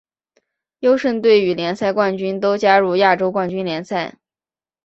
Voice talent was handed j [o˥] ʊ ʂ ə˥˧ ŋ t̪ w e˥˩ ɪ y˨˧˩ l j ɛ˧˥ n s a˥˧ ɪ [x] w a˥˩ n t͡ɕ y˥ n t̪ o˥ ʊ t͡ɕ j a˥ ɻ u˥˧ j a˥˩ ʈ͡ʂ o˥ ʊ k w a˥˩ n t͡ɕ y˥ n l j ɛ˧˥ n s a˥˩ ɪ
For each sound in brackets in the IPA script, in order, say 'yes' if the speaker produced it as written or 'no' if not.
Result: yes, no

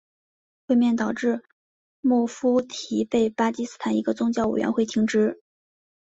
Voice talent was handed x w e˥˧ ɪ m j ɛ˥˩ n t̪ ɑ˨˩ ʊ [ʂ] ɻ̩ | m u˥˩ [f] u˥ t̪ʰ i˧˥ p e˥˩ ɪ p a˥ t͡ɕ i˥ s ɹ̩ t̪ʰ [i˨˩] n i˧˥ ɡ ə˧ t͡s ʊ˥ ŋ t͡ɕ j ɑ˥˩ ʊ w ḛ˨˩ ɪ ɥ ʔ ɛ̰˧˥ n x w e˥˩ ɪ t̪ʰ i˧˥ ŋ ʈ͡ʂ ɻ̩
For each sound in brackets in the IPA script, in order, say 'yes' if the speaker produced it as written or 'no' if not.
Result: no, yes, no

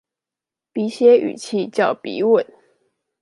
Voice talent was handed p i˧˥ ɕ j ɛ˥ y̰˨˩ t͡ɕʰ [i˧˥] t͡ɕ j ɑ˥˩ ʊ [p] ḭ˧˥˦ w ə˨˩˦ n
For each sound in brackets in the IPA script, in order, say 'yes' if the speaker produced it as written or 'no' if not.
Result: no, yes

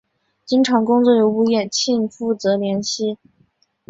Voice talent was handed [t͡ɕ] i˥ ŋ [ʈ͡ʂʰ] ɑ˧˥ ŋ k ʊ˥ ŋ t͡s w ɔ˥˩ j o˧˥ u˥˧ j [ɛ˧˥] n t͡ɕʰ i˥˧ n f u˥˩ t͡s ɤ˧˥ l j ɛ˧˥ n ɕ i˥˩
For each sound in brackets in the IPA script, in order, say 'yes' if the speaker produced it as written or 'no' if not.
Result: yes, yes, no

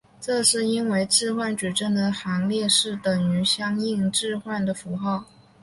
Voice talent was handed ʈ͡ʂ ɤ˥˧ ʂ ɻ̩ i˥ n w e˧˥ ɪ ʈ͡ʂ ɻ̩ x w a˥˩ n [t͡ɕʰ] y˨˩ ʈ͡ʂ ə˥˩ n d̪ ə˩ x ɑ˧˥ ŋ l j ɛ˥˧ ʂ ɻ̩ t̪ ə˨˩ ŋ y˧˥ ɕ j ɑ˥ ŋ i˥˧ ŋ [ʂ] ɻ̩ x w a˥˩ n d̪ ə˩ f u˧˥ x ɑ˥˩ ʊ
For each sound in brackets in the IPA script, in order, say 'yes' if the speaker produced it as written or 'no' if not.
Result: no, no

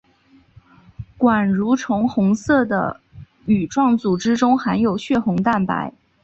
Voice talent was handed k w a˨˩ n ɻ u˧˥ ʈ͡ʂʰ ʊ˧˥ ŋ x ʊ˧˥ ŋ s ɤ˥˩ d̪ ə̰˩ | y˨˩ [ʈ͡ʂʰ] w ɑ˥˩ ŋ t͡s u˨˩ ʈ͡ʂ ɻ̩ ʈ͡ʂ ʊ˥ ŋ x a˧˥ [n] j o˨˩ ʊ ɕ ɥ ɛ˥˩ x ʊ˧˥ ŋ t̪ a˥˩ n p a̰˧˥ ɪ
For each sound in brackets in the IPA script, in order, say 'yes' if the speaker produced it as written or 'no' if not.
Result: no, yes

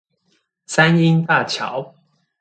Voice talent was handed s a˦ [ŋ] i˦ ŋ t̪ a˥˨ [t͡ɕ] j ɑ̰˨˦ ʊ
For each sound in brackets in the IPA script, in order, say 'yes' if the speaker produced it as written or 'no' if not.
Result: no, no

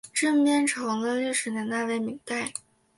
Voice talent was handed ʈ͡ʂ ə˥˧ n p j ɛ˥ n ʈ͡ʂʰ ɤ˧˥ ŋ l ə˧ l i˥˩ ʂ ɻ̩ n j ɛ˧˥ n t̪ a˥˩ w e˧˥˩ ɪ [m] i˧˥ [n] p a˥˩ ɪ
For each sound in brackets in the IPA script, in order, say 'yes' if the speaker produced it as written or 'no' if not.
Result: yes, no

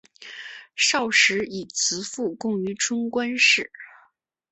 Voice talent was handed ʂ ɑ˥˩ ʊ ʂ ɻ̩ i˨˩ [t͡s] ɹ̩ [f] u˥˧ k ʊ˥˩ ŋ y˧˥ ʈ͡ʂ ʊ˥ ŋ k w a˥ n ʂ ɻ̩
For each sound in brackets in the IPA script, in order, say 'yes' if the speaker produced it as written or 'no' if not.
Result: no, yes

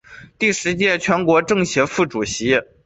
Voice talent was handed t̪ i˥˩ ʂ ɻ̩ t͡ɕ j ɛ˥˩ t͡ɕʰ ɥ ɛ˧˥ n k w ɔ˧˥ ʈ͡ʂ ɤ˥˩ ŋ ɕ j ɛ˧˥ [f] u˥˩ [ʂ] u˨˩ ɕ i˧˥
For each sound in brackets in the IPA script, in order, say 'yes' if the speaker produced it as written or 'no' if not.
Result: yes, no

